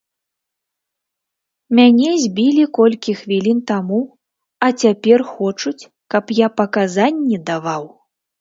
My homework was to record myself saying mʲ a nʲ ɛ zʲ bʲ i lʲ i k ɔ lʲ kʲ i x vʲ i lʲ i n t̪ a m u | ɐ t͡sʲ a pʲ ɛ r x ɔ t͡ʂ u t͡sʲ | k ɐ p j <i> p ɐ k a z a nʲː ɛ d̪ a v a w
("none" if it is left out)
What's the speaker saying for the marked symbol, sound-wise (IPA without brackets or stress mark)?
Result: a